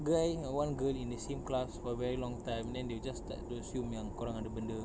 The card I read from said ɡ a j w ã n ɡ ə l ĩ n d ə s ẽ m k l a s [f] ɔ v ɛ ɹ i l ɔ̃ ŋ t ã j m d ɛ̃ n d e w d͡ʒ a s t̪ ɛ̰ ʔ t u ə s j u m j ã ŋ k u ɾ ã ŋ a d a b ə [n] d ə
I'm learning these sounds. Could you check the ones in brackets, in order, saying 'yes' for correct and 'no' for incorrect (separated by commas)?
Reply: yes, yes